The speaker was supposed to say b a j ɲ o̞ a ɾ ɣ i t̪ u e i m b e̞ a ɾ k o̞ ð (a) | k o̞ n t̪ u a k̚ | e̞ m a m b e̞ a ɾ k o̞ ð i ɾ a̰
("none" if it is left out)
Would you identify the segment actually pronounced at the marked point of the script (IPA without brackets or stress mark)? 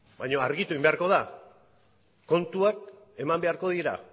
a